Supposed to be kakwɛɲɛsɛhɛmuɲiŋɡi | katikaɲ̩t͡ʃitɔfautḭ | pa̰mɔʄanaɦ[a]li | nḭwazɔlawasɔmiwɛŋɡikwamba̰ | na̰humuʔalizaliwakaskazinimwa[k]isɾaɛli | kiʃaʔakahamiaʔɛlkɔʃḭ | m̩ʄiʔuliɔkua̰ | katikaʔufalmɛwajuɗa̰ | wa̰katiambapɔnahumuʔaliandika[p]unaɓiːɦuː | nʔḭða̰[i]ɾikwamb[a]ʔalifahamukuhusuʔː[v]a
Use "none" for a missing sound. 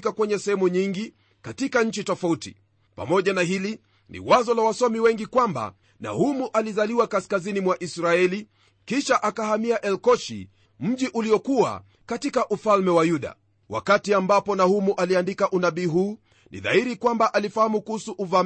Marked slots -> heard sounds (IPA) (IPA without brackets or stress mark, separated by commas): i, ʔ, ʔ, i, a, v